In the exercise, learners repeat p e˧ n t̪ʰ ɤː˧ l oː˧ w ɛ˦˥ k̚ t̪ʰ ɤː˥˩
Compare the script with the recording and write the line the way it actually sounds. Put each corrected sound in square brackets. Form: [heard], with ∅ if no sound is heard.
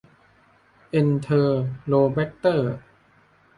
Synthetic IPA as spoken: [ʔ] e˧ n t̪ʰ ɤː˧ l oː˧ [b] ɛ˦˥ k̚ [t̪] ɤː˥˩